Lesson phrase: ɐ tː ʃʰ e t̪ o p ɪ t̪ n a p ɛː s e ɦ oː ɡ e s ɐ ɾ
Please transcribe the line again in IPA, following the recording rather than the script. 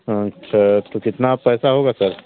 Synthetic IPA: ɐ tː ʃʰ a t̪ o k ɪ t̪ n a p ɛː s a ɦ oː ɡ a s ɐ ɾ